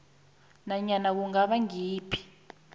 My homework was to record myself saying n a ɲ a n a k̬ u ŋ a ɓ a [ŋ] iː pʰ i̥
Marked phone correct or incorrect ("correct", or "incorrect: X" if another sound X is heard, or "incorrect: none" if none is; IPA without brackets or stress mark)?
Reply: correct